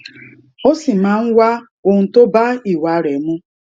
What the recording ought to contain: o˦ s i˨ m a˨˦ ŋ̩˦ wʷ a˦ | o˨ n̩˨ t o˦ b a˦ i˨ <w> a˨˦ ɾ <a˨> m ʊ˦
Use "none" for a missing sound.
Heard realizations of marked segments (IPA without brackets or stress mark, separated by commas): w, e˨